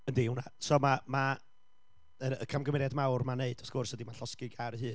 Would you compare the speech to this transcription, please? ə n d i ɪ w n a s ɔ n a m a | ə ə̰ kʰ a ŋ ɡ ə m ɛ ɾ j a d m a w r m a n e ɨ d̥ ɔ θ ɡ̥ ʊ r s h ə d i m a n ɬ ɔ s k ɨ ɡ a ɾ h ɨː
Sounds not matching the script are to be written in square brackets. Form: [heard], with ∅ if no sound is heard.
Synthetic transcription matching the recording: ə n d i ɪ w n a s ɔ [m] a m a | ə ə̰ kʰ a [m] ɡ ə m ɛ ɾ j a d m a w r m a n e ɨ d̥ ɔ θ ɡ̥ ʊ r s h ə d i m a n ɬ ɔ s k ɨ ɡ a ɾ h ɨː